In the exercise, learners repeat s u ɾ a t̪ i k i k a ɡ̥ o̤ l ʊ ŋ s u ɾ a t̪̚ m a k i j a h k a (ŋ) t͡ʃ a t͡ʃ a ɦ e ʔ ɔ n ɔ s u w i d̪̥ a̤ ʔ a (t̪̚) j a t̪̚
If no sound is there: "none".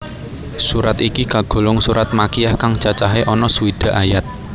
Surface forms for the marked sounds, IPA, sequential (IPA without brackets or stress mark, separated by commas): ŋ, none